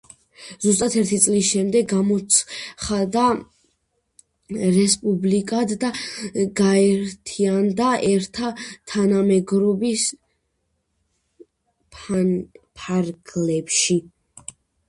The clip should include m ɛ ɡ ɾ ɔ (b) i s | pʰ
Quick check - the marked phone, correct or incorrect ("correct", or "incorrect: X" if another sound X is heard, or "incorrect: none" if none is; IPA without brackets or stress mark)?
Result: correct